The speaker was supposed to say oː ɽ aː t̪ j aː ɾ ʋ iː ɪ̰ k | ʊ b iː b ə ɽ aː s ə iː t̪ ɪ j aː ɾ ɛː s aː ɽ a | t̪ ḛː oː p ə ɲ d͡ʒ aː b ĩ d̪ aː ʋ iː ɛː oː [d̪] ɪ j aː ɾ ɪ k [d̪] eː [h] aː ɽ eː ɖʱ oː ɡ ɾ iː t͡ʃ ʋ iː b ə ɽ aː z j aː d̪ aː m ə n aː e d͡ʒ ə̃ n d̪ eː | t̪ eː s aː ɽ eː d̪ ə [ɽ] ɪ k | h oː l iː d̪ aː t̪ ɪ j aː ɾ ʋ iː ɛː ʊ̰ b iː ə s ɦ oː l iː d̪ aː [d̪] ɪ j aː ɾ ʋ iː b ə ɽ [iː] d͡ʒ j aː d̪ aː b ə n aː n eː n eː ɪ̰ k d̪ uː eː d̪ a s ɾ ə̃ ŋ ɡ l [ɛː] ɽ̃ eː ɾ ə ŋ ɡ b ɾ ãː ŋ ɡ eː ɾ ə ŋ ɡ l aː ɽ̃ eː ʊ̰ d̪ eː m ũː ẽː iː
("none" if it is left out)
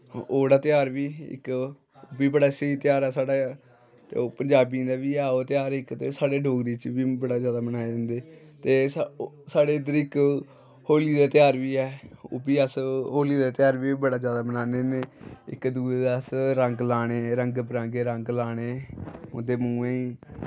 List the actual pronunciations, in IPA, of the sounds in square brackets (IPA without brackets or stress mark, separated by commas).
t̪, t̪, s, ɾ, t̪, aː, aː